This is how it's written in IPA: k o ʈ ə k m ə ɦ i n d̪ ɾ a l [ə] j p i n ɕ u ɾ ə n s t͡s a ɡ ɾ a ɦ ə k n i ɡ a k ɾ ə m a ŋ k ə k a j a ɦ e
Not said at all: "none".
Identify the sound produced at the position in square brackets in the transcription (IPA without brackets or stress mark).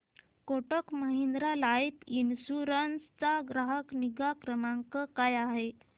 a